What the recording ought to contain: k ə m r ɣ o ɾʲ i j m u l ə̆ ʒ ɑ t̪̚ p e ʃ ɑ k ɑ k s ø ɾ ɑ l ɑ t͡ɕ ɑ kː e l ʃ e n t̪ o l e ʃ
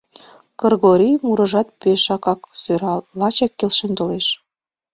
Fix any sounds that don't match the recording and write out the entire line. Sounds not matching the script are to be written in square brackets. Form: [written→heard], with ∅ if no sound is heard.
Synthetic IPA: k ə [m→∅] r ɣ o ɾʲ i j m u [l→ɾ] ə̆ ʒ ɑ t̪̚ p e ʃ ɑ k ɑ k s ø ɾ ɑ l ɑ t͡ɕ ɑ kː e l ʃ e n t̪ o l e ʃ